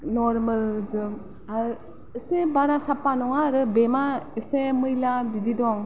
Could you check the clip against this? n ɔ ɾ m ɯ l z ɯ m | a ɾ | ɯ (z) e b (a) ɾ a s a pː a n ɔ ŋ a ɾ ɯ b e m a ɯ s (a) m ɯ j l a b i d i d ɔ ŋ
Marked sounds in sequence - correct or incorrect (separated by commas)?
incorrect, correct, incorrect